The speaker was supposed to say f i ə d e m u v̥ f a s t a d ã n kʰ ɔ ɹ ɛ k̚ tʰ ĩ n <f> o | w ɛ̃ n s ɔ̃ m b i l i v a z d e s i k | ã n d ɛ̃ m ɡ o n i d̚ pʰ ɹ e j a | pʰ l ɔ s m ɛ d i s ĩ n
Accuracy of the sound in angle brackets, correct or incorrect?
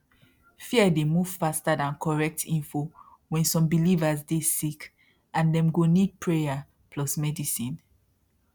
correct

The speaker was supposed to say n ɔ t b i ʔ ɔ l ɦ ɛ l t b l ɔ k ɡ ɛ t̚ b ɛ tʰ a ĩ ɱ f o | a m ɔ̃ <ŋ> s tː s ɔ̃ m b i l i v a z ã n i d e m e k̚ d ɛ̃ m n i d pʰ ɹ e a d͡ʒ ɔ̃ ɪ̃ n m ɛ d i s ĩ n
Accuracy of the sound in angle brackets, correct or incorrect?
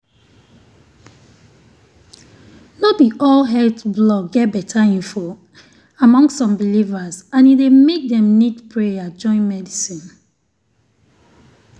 correct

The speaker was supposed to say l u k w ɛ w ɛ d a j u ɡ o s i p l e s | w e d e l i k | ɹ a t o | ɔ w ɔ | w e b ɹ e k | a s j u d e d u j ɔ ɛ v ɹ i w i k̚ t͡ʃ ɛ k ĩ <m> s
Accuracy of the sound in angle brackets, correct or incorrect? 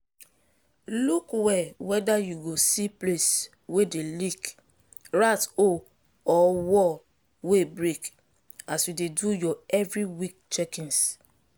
incorrect: n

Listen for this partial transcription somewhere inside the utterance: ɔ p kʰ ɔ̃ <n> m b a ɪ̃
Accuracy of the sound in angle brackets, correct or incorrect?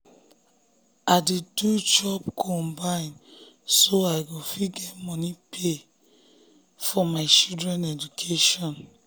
incorrect: none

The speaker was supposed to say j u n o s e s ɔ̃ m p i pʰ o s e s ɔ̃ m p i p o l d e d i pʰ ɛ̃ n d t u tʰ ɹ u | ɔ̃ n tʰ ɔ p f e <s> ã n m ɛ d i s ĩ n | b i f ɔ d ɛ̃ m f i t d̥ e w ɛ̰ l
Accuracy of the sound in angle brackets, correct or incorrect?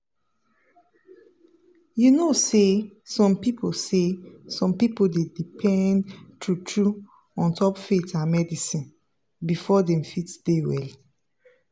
incorrect: t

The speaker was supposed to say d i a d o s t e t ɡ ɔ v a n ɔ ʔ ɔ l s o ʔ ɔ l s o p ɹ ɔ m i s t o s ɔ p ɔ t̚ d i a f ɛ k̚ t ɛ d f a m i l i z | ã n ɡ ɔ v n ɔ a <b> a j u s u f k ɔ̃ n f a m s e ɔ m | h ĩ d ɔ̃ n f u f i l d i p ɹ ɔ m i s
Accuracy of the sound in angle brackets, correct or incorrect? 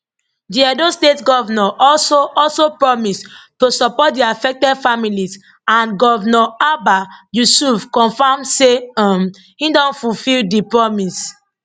correct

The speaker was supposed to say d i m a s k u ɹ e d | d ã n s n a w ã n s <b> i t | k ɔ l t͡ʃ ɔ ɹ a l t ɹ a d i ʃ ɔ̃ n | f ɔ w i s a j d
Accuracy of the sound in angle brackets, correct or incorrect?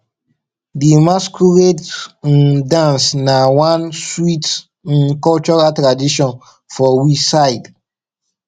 incorrect: w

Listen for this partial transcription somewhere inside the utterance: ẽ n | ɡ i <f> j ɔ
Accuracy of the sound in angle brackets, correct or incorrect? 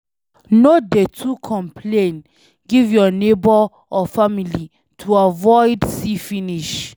incorrect: v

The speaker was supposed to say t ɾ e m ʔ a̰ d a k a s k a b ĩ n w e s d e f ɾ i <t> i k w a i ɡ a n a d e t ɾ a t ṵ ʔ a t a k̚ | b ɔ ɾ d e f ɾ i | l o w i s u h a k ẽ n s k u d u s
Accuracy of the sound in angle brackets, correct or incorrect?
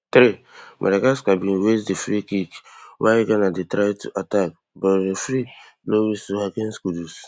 incorrect: k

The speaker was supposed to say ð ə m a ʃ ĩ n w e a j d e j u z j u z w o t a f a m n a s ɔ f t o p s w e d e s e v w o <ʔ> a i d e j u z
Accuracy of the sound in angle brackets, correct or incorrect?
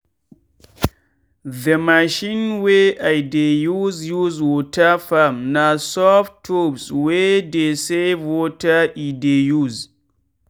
incorrect: t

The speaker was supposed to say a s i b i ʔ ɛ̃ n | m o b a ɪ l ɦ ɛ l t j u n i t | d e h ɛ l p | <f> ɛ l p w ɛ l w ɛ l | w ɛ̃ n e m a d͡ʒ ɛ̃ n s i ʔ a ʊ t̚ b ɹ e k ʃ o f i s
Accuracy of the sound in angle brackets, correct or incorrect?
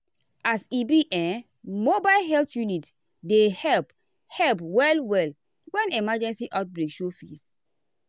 incorrect: h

